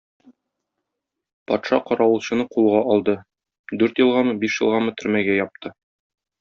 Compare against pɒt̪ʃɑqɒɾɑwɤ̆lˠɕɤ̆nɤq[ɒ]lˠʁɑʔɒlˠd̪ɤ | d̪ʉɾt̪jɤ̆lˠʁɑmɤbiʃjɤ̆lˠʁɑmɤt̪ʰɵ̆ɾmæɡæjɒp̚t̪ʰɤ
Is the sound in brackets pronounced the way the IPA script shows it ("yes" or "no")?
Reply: no